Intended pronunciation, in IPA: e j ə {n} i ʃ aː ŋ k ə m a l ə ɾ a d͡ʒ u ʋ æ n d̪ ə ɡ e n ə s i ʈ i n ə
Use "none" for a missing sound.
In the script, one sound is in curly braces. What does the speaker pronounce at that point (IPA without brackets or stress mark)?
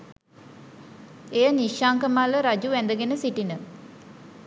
n